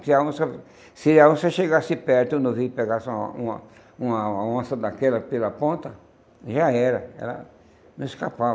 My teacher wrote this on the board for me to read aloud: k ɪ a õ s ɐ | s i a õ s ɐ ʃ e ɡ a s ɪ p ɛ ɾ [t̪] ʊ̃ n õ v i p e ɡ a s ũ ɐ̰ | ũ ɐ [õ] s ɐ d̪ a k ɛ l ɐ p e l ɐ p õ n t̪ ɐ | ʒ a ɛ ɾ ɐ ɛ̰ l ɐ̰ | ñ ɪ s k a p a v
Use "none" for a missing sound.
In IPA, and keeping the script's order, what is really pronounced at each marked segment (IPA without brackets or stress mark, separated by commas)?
t̪, õ